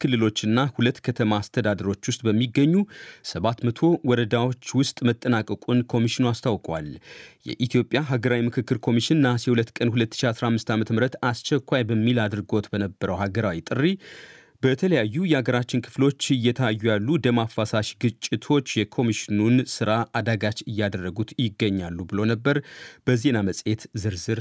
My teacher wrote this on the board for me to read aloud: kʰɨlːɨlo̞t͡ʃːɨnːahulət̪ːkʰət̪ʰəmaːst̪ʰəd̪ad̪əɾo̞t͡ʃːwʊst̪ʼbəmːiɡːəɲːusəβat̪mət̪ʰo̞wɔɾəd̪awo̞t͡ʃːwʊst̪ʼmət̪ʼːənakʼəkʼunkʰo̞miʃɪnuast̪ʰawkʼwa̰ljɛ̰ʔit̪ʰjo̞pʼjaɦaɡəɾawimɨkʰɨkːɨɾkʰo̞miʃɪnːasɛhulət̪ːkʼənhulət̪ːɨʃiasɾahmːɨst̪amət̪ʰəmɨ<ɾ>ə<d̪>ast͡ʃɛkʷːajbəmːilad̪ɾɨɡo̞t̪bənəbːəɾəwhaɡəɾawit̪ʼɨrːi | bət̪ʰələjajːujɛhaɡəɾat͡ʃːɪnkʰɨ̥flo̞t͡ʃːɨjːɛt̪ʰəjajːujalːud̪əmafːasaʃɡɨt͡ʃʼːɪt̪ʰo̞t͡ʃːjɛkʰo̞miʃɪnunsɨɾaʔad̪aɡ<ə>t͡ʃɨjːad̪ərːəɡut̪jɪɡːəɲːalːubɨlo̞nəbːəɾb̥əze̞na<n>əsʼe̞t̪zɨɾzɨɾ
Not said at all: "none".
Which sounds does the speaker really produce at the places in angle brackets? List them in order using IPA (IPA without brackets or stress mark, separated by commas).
ɾ, t̪, a, m